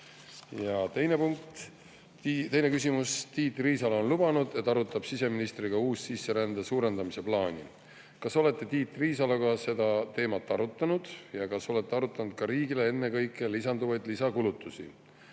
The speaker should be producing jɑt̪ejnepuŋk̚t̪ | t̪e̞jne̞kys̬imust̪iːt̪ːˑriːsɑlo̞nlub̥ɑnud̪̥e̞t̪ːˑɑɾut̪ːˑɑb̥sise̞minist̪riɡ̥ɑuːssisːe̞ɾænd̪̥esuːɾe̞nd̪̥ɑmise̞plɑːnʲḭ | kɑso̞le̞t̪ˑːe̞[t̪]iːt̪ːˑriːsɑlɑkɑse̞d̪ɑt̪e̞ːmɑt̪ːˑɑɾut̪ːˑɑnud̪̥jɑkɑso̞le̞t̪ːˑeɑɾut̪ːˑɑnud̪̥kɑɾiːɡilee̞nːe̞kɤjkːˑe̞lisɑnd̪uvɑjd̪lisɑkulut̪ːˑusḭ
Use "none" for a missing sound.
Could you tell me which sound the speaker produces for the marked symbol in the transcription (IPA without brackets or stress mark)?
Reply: t̪